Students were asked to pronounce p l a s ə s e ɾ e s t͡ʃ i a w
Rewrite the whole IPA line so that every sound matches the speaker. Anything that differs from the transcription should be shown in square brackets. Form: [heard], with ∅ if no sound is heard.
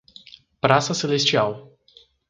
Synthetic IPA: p [ɾ] a s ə s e [l] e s t͡ʃ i a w

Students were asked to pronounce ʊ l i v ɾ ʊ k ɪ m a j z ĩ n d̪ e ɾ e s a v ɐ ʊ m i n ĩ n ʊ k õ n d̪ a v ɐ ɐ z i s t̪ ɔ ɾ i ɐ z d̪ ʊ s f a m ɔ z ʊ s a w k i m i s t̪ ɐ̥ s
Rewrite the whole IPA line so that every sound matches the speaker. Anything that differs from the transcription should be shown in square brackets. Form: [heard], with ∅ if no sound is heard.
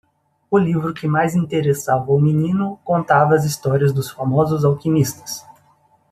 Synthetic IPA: ʊ l i v ɾ ʊ k ɪ m a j z ĩ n [t̪] e ɾ e s a v ɐ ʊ m i n ĩ n ʊ k õ n [t̪] a v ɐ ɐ z i s t̪ ɔ ɾ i ɐ z d̪ ʊ s f a m ɔ z ʊ [z] a w k i m i s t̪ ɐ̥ s

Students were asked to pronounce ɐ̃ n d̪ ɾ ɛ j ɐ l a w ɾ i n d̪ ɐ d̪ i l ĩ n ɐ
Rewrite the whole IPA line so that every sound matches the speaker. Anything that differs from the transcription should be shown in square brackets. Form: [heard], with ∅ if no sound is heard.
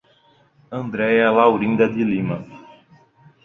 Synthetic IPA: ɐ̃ n d̪ ɾ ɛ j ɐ l a w ɾ [ĩ] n d̪ ɐ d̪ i l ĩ [m] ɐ

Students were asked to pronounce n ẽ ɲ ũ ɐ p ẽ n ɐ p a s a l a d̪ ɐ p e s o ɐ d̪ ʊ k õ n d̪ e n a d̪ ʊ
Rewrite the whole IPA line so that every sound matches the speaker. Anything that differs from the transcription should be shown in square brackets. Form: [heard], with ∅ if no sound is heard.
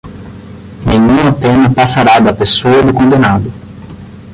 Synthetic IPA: n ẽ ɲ ũ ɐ p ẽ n ɐ p a s a [ɾ] a d̪ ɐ p e s o ɐ d̪ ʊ k õ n d̪ e n a d̪ ʊ

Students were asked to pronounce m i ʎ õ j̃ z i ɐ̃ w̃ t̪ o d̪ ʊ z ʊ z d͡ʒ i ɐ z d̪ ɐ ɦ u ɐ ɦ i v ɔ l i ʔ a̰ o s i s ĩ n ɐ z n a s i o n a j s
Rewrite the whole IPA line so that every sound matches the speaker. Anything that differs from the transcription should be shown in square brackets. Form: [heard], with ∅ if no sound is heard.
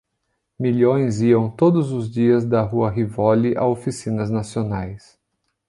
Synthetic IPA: m i ʎ õ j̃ z i ɐ̃ w̃ t̪ o d̪ ʊ z ʊ z d͡ʒ i ɐ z d̪ ɐ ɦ u ɐ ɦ i v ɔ l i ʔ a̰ o [f] i s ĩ n ɐ z n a s i o n a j s

